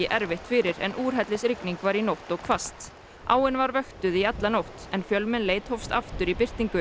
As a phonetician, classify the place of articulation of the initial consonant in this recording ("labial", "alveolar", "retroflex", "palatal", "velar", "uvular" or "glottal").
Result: glottal